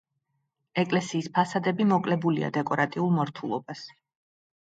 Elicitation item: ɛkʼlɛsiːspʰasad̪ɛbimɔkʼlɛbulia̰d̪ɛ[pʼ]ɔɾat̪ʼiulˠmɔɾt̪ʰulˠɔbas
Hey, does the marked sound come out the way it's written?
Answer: no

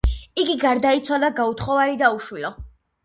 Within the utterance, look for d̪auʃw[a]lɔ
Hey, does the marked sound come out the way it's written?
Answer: no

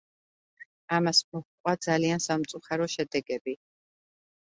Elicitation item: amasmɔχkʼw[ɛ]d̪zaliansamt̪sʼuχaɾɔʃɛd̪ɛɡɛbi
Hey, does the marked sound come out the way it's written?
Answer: no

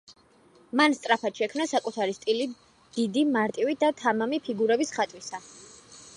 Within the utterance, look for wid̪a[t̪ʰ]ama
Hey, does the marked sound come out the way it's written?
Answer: yes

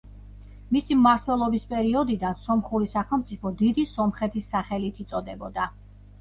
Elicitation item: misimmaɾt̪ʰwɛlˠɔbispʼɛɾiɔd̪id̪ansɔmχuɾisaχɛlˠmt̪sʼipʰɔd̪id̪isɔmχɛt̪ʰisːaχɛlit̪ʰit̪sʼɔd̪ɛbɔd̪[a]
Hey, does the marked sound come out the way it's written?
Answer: yes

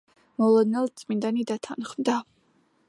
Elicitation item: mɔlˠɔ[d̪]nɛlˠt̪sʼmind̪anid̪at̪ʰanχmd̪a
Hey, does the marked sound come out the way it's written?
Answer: yes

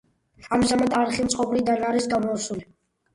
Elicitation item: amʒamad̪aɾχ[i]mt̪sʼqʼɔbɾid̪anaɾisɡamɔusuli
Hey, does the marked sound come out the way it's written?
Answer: yes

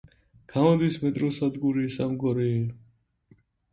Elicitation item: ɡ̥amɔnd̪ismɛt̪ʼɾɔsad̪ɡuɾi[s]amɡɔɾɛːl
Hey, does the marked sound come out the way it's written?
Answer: yes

